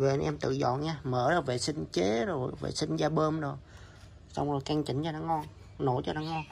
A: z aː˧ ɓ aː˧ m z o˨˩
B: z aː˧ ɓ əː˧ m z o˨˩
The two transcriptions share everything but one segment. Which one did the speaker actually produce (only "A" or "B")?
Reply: B